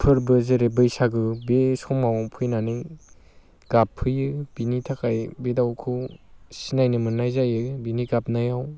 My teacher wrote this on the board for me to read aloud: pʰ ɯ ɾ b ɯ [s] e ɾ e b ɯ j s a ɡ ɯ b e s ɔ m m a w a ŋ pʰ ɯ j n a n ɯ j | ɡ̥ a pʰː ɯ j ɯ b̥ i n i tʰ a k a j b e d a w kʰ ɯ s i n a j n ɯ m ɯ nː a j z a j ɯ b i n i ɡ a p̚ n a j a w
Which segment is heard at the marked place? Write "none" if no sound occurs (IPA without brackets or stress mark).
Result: z